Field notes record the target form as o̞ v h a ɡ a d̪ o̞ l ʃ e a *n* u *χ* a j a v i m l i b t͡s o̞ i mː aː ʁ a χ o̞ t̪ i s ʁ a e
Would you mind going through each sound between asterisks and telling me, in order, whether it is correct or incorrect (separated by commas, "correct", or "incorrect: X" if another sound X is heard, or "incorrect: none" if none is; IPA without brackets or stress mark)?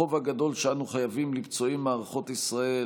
correct, correct